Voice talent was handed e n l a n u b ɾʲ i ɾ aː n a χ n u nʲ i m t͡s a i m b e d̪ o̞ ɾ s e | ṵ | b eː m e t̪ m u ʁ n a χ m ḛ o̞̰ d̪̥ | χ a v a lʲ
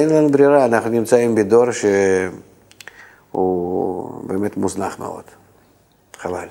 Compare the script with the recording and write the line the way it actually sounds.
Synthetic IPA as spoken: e n l a n u b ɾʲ i ɾ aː n a χ n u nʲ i m t͡s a i m b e d̪ o̞ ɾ ʃ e | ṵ | b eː m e t̪ m u z n a χ m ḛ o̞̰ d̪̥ | χ a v a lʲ